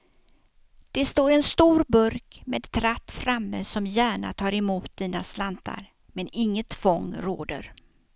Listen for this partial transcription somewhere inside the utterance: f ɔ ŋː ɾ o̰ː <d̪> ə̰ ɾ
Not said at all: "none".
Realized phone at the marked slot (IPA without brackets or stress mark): d̪